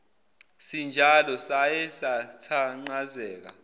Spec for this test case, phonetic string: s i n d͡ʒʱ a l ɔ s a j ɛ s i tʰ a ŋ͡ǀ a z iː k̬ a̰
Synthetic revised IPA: s i n d͡ʒʱ a l ɔ s a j ɛ s a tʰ a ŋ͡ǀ a z ɛː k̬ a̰